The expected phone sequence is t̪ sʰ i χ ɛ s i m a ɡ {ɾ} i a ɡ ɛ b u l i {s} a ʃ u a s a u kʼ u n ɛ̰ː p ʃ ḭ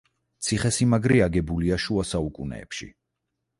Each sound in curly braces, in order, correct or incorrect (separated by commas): correct, incorrect